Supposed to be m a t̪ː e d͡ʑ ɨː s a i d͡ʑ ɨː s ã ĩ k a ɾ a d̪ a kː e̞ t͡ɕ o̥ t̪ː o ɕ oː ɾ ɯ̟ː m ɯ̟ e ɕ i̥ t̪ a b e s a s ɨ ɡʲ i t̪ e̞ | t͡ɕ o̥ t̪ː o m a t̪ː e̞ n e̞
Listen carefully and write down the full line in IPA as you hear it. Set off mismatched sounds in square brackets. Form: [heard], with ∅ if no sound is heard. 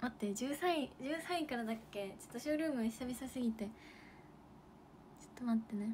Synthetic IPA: m a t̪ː e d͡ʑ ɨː s a i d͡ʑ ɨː s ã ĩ k a ɾ a d̪ a kː e̞ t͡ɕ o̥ t̪ː o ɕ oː ɾ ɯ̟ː m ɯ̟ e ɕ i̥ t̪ a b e s a s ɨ ɡʲ i t̪ e̞ | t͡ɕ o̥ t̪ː o m a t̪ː e̞ n e̞